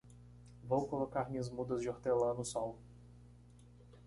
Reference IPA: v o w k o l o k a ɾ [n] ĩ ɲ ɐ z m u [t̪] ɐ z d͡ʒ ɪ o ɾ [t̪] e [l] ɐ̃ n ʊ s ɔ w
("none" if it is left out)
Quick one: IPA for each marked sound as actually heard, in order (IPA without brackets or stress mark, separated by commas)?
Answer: m, d̪, t̪, l